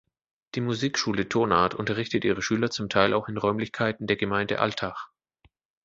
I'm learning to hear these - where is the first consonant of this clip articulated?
tongue tip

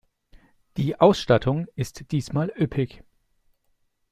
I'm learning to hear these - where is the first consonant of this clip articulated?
tongue tip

